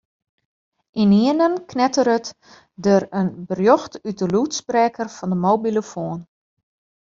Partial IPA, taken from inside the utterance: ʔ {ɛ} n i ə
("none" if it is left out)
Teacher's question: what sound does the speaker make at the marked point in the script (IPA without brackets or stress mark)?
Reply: i